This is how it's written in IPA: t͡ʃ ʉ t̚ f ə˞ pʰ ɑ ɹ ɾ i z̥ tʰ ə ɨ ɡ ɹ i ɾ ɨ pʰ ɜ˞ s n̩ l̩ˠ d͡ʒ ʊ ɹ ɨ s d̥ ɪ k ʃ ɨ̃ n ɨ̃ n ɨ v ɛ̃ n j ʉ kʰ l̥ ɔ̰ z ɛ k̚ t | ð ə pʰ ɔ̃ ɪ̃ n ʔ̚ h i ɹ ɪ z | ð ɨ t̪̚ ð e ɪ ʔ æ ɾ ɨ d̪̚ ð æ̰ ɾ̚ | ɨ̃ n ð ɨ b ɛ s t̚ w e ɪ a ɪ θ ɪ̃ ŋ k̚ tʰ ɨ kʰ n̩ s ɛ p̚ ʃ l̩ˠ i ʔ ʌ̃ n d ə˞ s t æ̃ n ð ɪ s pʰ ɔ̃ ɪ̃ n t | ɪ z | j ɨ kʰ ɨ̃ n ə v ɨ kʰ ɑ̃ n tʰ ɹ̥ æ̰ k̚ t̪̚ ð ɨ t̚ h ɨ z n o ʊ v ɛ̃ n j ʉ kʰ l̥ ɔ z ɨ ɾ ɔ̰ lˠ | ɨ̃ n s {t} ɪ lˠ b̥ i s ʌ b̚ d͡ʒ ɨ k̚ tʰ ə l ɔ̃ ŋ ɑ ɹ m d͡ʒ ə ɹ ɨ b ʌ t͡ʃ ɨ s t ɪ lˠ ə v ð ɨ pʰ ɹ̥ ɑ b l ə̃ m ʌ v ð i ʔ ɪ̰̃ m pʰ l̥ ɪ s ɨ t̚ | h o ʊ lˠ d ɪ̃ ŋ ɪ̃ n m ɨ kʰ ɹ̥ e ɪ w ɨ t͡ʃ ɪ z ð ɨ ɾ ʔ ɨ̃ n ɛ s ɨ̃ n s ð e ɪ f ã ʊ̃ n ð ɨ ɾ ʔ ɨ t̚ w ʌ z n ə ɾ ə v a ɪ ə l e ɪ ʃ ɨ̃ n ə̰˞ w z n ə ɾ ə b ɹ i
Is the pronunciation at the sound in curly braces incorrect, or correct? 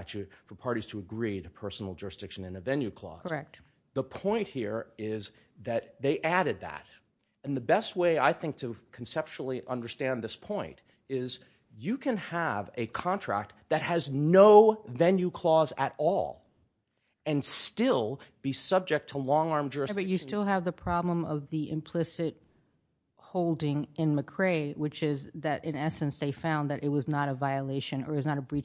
correct